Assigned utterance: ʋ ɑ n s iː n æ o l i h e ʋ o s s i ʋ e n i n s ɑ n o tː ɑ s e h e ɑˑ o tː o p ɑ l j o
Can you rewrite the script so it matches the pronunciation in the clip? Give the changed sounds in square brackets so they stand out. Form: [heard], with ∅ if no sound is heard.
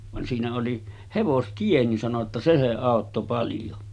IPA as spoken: ʋ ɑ n s iː n æ o l i h e ʋ o s [t] i [∅] e n i n s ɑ n o tː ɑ s e [s] e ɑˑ o tː o p ɑ l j o